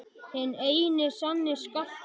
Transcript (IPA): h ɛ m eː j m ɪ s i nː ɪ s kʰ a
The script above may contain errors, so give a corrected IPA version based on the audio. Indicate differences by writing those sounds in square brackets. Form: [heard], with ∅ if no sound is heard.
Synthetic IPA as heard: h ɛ [n] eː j [n] ɪ s [a] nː ɪ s [k] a